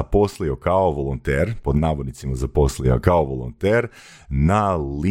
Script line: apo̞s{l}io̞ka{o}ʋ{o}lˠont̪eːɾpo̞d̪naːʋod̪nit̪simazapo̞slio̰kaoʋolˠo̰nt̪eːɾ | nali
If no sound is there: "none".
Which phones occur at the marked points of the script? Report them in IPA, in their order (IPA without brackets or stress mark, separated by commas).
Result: l, o, o